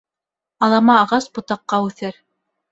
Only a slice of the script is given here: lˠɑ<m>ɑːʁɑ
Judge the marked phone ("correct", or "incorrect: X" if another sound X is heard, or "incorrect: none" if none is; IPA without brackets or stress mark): correct